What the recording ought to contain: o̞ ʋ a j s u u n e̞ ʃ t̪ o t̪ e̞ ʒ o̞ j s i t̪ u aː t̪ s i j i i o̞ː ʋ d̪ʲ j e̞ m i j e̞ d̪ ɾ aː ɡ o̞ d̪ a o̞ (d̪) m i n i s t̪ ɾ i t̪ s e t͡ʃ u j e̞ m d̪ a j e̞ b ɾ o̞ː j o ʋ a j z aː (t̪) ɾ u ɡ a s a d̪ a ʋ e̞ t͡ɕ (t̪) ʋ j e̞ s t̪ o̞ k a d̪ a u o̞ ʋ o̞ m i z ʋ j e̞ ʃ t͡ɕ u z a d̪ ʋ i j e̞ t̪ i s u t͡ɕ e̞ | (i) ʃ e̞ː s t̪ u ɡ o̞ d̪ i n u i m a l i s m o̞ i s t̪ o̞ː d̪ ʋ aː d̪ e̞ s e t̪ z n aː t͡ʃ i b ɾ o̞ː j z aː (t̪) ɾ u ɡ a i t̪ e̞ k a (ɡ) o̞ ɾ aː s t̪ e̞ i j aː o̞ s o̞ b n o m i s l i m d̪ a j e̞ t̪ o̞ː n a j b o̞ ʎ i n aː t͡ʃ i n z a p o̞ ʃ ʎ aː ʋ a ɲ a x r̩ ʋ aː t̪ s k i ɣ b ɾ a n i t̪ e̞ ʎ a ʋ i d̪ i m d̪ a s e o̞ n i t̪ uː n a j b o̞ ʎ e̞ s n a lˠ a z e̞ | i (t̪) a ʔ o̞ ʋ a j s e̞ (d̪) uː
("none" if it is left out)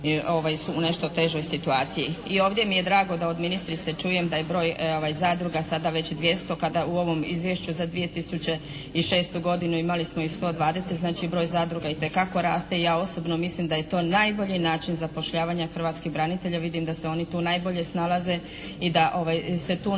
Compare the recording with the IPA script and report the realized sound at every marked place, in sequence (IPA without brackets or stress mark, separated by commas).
d̪, d̪, d̪, i, d̪, k, d̪, t̪